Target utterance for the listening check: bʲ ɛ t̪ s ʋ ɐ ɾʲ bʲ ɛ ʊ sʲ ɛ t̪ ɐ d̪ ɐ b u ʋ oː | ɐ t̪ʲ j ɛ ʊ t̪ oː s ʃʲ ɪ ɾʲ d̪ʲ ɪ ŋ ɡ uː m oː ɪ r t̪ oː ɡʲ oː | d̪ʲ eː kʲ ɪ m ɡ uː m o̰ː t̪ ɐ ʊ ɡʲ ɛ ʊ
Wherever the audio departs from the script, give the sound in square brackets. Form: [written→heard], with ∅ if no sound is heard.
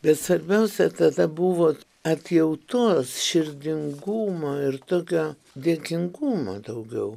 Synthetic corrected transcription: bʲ ɛ t̪ s ʋ ɐ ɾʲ bʲ ɛ ʊ sʲ ɛ t̪ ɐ d̪ ɐ b u ʋ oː | ɐ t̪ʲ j ɛ ʊ t̪ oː s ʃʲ ɪ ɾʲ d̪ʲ ɪ ŋ ɡ uː m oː ɪ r t̪ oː [ɡʲ→kʲ] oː | d̪ʲ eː kʲ ɪ [m→ŋ] ɡ uː m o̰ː [t̪→d̪] ɐ ʊ ɡʲ ɛ ʊ

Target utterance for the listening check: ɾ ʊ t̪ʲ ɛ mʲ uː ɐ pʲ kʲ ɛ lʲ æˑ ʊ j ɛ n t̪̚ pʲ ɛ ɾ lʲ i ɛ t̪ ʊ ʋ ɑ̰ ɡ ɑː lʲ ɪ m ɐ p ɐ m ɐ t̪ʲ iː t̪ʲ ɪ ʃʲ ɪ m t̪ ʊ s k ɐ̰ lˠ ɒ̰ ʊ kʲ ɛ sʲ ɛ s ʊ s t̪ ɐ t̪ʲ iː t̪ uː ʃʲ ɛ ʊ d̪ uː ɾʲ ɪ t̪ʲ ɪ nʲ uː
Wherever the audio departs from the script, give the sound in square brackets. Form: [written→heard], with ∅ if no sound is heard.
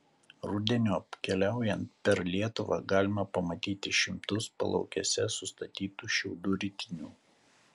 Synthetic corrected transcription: ɾ ʊ [t̪ʲ→d̪ʲ] ɛ [mʲ→nʲ] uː ɐ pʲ kʲ ɛ lʲ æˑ ʊ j ɛ n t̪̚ pʲ ɛ ɾ lʲ i ɛ t̪ ʊ ʋ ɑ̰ ɡ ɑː lʲ ɪ m ɐ p ɐ m ɐ t̪ʲ iː t̪ʲ ɪ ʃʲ ɪ m t̪ ʊ s [k→p] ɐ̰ lˠ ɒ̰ ʊ kʲ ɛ sʲ ɛ s ʊ s t̪ ɐ t̪ʲ iː t̪ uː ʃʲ ɛ ʊ d̪ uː ɾʲ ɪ t̪ʲ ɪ nʲ uː

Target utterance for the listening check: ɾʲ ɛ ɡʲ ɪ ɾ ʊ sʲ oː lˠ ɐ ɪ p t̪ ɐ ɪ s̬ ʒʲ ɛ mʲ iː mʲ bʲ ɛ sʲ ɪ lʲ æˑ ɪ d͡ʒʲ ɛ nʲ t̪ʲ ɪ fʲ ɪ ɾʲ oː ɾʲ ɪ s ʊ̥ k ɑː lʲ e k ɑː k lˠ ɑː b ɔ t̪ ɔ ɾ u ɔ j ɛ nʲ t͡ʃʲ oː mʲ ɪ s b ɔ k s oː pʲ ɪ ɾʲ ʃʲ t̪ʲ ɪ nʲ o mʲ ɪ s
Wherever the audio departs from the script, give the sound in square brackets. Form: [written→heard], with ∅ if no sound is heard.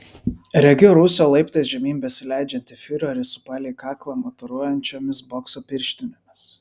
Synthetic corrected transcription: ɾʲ ɛ ɡʲ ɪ ɾ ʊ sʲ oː lˠ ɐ ɪ p t̪ ɐ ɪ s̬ ʒʲ ɛ mʲ iː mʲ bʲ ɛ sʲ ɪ lʲ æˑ ɪ d͡ʒʲ ɛ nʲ t̪ʲ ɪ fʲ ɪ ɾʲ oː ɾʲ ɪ s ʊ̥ [k→p] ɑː lʲ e k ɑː k lˠ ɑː [b→m] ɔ t̪ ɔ ɾ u ɔ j ɛ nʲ t͡ʃʲ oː mʲ ɪ s b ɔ k s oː pʲ ɪ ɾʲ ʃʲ t̪ʲ ɪ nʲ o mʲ ɪ s

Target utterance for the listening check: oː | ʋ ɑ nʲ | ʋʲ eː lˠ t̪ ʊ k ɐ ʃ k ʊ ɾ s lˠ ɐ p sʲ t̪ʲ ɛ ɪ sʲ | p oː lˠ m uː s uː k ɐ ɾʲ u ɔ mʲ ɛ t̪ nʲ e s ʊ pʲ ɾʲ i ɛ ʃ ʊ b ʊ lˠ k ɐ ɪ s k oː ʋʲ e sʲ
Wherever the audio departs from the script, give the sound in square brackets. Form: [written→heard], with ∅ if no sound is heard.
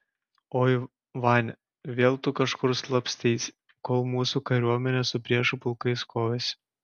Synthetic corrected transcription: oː | ʋ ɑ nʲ | ʋʲ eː lˠ t̪ ʊ k ɐ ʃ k ʊ ɾ s lˠ ɐ p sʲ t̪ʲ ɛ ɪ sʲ | [p→k] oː lˠ m uː s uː k ɐ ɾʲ u ɔ mʲ ɛ [t̪→∅] nʲ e s ʊ pʲ ɾʲ i ɛ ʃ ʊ [b→p] ʊ lˠ k ɐ ɪ s k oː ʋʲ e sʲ

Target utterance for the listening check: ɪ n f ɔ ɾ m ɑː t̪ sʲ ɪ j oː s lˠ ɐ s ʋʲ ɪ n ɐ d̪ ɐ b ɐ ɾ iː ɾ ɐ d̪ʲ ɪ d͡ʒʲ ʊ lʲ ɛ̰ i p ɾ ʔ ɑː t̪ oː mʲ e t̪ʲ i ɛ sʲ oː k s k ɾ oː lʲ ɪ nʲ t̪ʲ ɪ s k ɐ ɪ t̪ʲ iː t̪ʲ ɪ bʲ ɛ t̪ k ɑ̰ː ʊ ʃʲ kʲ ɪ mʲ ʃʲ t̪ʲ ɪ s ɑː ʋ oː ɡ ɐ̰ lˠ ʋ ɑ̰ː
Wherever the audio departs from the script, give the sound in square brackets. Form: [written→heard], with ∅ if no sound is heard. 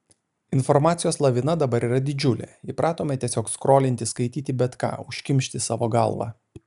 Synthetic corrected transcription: ɪ n f ɔ ɾ m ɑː t̪ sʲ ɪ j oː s lˠ ɐ [s→∅] ʋʲ ɪ n ɐ d̪ ɐ b ɐ ɾ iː ɾ ɐ d̪ʲ ɪ d͡ʒʲ ʊ lʲ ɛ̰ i p ɾ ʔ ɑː t̪ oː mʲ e t̪ʲ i ɛ sʲ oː k s k ɾ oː lʲ ɪ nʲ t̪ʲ ɪ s k ɐ ɪ t̪ʲ iː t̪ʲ ɪ bʲ ɛ t̪ k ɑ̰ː ʊ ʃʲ kʲ ɪ mʲ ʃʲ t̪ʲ ɪ s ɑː ʋ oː ɡ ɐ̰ lˠ ʋ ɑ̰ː

